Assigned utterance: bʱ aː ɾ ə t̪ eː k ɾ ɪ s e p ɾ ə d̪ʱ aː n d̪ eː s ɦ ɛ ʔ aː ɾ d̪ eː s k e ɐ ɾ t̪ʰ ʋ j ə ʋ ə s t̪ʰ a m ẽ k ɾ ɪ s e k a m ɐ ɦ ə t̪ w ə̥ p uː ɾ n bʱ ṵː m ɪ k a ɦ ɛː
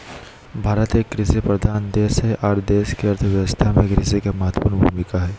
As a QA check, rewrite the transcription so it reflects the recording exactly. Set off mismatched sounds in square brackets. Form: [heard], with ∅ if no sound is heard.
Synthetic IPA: bʱ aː ɾ ə t̪ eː k ɾ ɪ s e p ɾ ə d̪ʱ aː n d̪ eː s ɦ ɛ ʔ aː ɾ d̪ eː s k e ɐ ɾ t̪ʰ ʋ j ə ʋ ə s t̪ʰ a m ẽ k ɾ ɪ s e k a m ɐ ɦ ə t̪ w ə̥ p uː ɾ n bʱ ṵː m ɪ k a ɦ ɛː